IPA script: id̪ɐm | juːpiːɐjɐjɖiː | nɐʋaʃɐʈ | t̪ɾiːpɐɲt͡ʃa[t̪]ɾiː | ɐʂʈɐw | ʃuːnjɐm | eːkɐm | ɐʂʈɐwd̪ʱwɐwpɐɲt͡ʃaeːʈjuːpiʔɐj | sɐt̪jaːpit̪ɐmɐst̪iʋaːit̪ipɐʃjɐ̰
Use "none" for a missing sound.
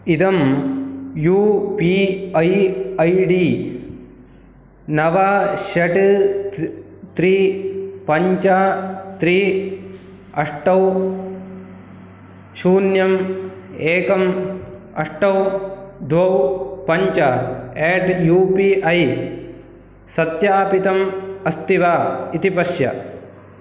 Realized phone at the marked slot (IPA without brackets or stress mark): t̪